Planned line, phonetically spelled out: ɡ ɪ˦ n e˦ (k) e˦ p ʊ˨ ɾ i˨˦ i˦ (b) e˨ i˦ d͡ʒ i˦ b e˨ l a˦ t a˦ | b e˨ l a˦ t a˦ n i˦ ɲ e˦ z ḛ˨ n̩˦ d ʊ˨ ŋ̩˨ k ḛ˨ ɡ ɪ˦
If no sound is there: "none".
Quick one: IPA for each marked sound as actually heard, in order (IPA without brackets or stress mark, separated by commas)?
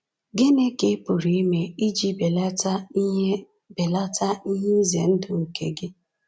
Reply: k, m